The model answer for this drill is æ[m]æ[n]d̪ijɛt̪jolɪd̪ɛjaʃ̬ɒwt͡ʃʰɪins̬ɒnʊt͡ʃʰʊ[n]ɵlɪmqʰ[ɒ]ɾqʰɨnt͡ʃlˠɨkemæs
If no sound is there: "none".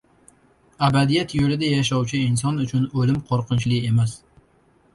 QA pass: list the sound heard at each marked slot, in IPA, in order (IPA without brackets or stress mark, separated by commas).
b, none, n, o